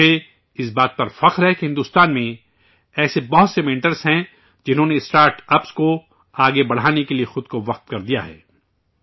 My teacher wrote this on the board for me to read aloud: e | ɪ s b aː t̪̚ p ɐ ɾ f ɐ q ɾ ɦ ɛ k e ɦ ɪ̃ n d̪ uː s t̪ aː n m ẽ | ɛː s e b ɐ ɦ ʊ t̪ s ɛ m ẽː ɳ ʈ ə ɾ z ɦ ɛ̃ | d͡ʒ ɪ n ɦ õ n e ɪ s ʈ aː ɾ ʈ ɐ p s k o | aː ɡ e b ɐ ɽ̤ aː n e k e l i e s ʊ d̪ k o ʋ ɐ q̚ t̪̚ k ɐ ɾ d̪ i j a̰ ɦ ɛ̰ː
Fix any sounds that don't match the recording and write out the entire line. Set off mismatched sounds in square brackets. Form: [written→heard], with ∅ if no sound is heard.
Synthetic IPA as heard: e | ɪ s b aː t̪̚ p ɐ ɾ f ɐ q ɾ ɦ ɛ k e ɦ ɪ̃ n d̪ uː s t̪ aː n m ẽ | ɛː s e b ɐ ɦ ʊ t̪ s [ɛ→e] m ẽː ɳ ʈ ə ɾ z ɦ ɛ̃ | d͡ʒ ɪ n ɦ õ n e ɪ s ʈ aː ɾ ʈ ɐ p s k o | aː ɡ e b ɐ ɽ̤ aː n e k e l i e [s→x] ʊ d̪ k o ʋ ɐ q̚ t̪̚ k ɐ ɾ d̪ i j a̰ ɦ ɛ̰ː